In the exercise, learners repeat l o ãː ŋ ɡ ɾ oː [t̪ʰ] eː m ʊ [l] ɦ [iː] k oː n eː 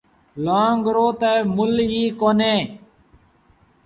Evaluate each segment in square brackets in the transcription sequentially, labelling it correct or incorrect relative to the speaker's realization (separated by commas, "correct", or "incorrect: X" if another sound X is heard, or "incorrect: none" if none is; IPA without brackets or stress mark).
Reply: incorrect: t̪, correct, correct